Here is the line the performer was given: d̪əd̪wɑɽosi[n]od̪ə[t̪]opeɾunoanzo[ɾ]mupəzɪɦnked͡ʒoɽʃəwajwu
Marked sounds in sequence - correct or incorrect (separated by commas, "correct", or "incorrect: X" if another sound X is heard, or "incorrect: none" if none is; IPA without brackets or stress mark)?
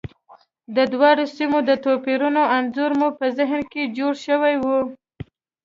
incorrect: m, correct, correct